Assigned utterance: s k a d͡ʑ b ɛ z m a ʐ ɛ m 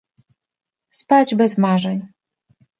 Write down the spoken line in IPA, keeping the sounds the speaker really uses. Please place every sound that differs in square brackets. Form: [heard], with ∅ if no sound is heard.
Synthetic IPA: s [p] a d͡ʑ b ɛ z m a ʐ ɛ [ɲ]